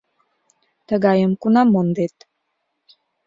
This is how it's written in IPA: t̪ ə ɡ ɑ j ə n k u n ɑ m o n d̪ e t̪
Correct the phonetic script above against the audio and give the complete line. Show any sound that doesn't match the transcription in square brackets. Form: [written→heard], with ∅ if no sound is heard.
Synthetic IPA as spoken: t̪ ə ɡ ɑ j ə [n→m] k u n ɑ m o n d̪ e t̪